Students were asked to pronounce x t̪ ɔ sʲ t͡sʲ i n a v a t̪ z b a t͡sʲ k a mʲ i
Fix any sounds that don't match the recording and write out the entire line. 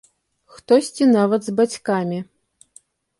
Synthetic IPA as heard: x t̪ ɔ sʲ t͡sʲ i n a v ɐ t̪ z b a t͡sʲ k a mʲ i